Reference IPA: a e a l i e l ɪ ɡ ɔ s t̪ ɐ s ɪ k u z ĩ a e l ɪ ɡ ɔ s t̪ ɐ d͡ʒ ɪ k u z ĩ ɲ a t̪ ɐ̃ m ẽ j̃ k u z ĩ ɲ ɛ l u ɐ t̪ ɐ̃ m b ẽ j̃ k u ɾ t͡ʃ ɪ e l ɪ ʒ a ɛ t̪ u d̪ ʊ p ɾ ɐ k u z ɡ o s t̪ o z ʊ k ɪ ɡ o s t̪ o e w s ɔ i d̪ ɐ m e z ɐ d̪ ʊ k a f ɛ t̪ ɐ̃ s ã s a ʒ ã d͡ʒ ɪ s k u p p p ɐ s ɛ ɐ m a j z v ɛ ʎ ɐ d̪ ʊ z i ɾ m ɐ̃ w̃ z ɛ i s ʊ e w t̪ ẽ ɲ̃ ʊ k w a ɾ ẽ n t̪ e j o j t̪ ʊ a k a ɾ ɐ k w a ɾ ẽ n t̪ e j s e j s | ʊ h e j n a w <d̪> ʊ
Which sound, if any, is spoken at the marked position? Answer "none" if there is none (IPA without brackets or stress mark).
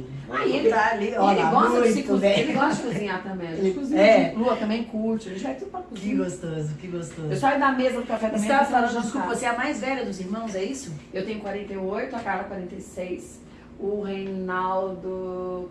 d̪